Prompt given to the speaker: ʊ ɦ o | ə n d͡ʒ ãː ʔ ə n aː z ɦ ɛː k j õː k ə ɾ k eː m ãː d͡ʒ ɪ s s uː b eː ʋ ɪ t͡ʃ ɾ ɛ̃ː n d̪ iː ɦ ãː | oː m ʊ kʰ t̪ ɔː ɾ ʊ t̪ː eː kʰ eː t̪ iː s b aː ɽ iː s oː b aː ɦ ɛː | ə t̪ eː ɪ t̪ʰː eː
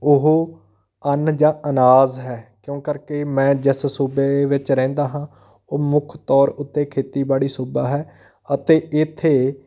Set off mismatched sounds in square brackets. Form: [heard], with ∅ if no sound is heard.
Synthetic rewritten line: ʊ ɦ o | ə n d͡ʒ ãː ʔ ə n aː z ɦ ɛː k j õː k ə ɾ k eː m [ɛ̃ː] d͡ʒ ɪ s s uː b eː ʋ ɪ t͡ʃ ɾ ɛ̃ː n d̪ [aː] ɦ ãː | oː m ʊ kʰ t̪ ɔː ɾ ʊ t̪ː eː kʰ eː t̪ iː [∅] b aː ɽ iː s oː b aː ɦ ɛː | ə t̪ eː ɪ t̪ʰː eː